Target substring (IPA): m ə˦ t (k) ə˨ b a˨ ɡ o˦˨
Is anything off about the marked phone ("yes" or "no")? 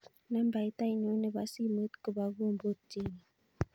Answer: no